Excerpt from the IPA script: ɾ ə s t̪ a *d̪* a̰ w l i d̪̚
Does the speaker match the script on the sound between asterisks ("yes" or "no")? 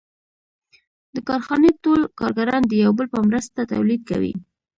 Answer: no